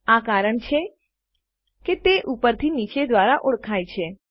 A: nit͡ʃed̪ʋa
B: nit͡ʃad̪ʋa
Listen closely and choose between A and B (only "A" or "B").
A